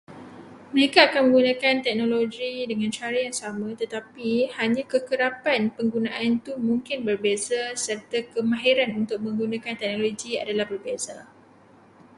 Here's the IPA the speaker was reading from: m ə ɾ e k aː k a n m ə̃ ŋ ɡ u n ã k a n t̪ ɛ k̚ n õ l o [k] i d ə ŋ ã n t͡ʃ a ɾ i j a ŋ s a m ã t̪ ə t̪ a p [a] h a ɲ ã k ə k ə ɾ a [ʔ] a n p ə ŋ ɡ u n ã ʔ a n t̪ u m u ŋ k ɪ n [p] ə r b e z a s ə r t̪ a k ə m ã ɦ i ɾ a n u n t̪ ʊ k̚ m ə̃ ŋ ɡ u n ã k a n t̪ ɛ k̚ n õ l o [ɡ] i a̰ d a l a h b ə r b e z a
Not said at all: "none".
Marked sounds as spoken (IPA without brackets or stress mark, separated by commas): ɡ, i, p, b, ɡ